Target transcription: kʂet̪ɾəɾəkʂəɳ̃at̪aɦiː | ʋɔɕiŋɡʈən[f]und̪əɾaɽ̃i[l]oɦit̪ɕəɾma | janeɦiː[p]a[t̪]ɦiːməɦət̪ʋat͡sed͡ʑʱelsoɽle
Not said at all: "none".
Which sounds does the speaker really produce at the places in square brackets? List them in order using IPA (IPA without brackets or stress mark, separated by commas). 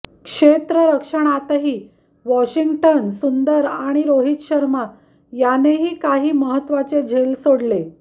s, ɾ, k, none